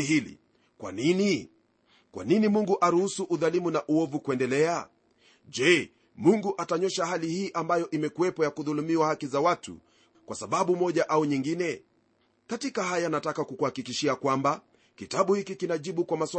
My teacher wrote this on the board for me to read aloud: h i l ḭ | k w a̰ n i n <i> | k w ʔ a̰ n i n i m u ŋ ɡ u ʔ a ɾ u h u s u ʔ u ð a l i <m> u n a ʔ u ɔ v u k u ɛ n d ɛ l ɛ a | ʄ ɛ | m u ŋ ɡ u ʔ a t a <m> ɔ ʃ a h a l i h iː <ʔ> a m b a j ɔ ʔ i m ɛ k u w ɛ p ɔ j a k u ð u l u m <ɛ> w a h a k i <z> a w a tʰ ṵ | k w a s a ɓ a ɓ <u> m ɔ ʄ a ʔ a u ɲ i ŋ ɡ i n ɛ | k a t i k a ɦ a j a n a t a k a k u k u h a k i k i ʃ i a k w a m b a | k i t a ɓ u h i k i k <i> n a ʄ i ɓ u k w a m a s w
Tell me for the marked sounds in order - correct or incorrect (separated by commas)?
correct, correct, incorrect, correct, incorrect, correct, correct, correct